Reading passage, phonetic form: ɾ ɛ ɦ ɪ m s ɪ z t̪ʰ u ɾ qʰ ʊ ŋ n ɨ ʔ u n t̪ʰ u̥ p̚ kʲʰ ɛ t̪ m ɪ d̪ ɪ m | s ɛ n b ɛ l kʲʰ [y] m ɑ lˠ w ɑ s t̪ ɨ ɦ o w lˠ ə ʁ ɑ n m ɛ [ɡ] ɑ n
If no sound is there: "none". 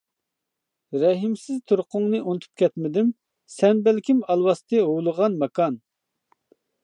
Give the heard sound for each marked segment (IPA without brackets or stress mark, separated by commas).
i, k